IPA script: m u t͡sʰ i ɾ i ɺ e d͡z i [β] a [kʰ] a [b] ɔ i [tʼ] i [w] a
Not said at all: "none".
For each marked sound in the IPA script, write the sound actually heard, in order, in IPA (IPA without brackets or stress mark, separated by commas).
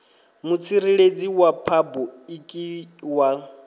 w, pʰ, b, kʼ, w